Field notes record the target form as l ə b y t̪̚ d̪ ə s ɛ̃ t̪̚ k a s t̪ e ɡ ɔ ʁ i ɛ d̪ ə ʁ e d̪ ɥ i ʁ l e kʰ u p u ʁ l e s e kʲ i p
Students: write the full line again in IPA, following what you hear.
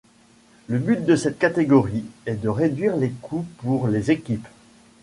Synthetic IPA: l ə b y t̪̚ d̪ ə s ɛ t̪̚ k a t̪ e ɡ ɔ ʁ i ɛ d̪ ə ʁ e d̪ ɥ i ʁ l e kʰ u p u ʁ l e z e kʲ i p